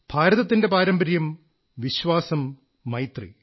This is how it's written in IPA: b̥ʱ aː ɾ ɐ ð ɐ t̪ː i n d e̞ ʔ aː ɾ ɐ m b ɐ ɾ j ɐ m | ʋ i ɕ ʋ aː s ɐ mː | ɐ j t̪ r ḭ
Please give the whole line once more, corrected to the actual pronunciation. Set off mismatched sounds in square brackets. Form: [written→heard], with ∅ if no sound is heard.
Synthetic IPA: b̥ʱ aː ɾ ɐ ð ɐ t̪ː i n d e̞ [ʔ→p] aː ɾ ɐ m b ɐ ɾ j ɐ m | ʋ i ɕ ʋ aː s ɐ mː | ɐ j t̪ r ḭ

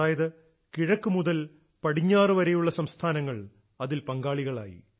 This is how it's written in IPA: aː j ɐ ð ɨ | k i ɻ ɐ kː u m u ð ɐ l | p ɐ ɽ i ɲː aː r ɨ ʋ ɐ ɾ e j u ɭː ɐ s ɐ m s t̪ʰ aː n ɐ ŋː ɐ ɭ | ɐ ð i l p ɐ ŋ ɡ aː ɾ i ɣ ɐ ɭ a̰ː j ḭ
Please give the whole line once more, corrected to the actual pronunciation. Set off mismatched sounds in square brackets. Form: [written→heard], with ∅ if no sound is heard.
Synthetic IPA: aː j ɐ ð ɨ | k i ɻ ɐ kː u m u ð ɐ l | p ɐ ɽ i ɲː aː r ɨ ʋ ɐ ɾ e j u ɭː ɐ s ɐ m s t̪ʰ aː n ɐ ŋː ɐ ɭ | ɐ ð i l p ɐ ŋ ɡ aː [ɾ→ɭ] i ɣ ɐ ɭ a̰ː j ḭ

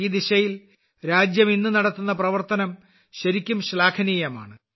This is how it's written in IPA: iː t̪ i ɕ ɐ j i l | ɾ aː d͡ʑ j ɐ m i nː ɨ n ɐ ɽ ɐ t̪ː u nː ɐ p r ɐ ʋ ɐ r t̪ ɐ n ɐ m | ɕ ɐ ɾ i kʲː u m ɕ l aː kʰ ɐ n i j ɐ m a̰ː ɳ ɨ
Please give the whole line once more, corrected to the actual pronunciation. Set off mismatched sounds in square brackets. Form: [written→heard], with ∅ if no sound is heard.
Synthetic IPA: iː [t̪→d̪] i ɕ ɐ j i l | ɾ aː d͡ʑ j ɐ m i nː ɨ n ɐ ɽ ɐ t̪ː u nː ɐ p r ɐ ʋ ɐ r t̪ ɐ n ɐ m | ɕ ɐ ɾ i kʲː u m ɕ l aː kʰ ɐ n i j ɐ m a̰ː ɳ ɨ

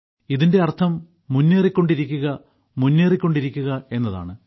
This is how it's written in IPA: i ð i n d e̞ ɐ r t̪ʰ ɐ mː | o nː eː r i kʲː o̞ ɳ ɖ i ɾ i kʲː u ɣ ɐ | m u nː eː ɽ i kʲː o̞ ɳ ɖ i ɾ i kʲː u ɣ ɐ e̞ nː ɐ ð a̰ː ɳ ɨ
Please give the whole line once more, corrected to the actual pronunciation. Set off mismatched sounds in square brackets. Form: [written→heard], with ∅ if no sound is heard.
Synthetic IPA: i ð i n d e̞ ɐ r t̪ʰ ɐ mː | [o→u] nː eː r i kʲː o̞ ɳ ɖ i ɾ i kʲː u ɣ ɐ | m u nː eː [ɽ→r] i kʲː o̞ ɳ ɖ i ɾ i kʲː u ɣ ɐ e̞ nː ɐ ð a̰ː ɳ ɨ

